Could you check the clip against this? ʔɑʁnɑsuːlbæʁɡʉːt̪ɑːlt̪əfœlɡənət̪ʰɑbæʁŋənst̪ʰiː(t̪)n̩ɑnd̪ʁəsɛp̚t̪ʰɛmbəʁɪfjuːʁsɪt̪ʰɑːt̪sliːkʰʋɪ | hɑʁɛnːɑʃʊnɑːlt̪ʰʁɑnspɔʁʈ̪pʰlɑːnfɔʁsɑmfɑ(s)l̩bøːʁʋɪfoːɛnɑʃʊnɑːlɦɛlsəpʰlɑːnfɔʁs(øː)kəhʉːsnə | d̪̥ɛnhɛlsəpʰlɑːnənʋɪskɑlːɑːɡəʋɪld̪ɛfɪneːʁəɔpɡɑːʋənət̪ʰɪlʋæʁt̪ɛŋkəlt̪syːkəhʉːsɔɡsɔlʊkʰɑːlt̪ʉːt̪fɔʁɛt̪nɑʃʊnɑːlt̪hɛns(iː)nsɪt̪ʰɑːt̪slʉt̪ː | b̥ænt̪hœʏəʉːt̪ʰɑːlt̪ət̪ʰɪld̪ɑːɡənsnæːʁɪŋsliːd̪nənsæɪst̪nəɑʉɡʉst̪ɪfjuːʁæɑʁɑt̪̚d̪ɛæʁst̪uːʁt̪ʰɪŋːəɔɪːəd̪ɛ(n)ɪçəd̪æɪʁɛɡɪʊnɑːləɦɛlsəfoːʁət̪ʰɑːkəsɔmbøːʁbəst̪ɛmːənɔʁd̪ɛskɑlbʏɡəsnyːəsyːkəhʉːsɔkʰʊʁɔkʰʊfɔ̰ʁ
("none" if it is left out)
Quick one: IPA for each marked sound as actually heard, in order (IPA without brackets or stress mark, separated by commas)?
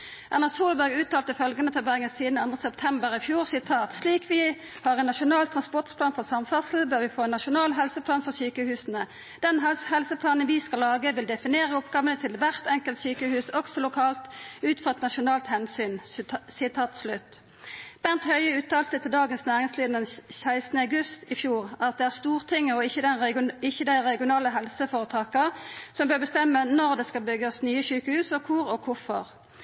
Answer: d̪, s, yː, yː, n